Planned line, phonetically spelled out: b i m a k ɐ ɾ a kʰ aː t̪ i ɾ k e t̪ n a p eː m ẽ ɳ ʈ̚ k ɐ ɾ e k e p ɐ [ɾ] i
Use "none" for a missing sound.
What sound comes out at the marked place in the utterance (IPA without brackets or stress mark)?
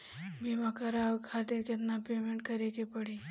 ɽ